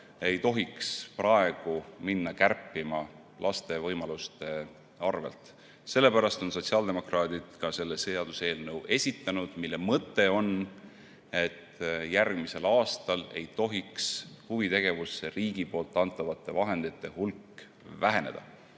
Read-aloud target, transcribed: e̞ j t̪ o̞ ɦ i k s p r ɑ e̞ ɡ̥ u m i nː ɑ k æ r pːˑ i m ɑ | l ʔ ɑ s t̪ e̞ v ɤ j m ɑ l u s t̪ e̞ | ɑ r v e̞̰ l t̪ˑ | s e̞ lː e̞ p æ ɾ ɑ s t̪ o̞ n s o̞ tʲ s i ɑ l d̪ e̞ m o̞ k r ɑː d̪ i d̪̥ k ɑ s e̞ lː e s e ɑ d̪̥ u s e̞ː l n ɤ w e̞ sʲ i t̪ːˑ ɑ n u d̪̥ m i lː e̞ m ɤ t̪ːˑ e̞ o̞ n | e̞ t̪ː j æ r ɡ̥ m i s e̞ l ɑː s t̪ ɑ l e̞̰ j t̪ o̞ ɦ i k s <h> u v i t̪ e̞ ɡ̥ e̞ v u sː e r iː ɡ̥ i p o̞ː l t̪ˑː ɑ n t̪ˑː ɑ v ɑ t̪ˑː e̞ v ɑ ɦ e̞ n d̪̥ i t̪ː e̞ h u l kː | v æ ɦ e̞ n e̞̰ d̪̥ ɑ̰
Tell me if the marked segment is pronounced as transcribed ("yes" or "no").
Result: yes